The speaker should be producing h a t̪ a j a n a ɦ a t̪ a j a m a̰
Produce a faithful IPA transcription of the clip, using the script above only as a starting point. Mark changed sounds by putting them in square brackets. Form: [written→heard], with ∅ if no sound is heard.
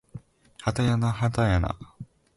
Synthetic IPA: h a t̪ a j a n a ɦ a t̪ a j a [m→n] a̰

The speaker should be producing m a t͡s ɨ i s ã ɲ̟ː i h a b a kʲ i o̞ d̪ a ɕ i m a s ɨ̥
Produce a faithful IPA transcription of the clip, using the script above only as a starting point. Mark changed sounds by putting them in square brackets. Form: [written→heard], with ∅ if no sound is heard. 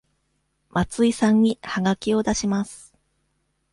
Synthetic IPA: m a t͡s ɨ i s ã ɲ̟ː i h a [b→ɡ] a kʲ i o̞ d̪ a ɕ i m a s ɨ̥

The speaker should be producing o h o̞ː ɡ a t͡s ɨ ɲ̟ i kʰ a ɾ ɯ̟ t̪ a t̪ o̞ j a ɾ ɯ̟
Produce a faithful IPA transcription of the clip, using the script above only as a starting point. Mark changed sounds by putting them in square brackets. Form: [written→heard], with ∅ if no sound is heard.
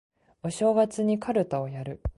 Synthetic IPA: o [h→ɕ] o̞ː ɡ a t͡s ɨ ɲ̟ i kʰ a ɾ ɯ̟ t̪ a [t̪→∅] o̞ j a ɾ ɯ̟

